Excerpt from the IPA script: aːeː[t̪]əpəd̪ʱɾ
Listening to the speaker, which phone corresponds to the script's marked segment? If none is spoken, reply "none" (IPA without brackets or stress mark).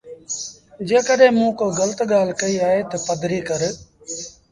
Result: t̪